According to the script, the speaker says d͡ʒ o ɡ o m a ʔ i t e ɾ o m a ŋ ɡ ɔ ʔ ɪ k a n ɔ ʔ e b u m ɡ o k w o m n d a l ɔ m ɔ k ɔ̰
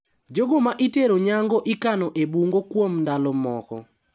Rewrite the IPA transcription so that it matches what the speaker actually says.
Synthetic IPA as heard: d͡ʒ o ɡ o m a ʔ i t e ɾ o ɲ a ŋ ɡ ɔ ʔ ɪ k a n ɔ ʔ e b u ŋ ɡ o k w o m n d a l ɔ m ɔ k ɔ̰